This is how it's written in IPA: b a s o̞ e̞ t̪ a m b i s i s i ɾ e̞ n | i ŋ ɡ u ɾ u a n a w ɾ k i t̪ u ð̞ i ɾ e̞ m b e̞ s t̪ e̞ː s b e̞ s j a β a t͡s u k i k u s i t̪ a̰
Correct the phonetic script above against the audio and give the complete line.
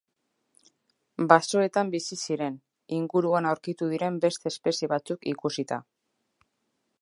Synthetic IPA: b a s o̞ e̞ t̪ a m b i s i s i ɾ e̞ n | i ŋ ɡ u ɾ u a n a w ɾ k i t̪ u ð̞ i ɾ e̞ m b e̞ s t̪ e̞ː s p e̞ s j e β a t͡s u k i k u s i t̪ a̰